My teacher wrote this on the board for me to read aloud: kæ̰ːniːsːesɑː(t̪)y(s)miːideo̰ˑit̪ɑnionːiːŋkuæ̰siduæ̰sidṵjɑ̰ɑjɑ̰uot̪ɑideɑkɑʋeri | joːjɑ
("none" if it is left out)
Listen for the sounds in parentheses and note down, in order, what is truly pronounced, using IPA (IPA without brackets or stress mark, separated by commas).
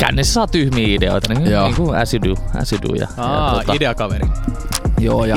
t̪, h